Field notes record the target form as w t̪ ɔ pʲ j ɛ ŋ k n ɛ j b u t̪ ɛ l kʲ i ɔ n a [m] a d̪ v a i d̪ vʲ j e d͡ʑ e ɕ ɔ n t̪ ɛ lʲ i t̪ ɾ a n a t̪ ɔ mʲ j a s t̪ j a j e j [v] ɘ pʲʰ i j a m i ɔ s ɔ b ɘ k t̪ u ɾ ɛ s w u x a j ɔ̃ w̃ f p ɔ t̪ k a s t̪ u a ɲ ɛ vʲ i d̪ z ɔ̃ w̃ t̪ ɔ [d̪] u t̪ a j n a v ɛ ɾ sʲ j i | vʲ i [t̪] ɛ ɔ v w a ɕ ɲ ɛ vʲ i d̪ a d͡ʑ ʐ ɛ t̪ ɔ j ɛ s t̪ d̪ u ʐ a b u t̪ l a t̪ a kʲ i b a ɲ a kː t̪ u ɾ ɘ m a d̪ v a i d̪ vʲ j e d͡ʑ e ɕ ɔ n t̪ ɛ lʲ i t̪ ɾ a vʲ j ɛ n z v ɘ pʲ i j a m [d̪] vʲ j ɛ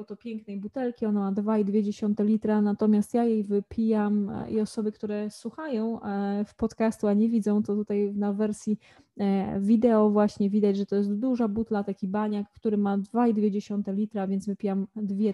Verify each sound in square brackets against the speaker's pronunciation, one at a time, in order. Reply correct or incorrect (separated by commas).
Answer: correct, correct, incorrect, incorrect, correct